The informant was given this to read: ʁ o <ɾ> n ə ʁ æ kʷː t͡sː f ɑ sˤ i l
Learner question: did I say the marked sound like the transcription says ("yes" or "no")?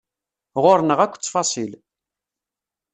yes